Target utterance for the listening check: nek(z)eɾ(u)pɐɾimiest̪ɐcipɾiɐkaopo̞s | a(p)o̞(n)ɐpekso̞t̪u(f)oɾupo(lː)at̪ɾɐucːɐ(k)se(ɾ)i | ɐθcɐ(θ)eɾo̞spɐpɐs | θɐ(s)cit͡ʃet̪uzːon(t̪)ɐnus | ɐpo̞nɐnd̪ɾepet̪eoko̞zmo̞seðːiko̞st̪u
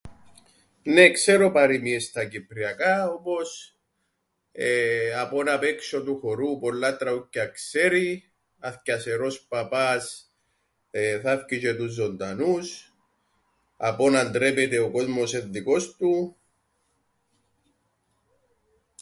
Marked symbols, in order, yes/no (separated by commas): no, no, yes, yes, no, yes, yes, yes, no, no, no